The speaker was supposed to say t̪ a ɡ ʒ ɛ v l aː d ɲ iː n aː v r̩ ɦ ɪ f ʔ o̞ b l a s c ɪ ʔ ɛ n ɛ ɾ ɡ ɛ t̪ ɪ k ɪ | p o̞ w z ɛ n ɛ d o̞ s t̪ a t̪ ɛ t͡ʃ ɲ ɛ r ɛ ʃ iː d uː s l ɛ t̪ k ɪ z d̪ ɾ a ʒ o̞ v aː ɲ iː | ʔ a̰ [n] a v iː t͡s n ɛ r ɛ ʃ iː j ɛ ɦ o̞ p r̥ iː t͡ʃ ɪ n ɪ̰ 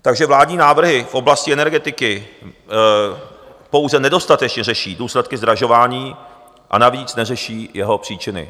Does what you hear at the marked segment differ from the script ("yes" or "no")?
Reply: no